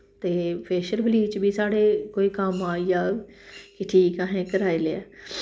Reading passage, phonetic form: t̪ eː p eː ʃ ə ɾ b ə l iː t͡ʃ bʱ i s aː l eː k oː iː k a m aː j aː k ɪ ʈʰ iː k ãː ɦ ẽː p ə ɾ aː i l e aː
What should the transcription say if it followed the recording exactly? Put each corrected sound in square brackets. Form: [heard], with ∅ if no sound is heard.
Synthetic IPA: t̪ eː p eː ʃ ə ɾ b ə l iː t͡ʃ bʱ i s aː [ɽ] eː k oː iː k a m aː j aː k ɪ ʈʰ iː k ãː ɦ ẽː [k] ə ɾ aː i l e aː